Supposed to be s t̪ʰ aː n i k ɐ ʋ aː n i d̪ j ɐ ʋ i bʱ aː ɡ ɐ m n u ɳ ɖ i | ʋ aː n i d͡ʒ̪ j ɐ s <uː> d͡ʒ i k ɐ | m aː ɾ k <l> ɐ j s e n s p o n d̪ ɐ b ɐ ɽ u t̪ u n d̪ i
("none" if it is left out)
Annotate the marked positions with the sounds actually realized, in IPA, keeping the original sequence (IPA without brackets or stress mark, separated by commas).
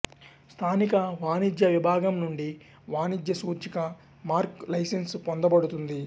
uː, l